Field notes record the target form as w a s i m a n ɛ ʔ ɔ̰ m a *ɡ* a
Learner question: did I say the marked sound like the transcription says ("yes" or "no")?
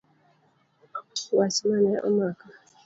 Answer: no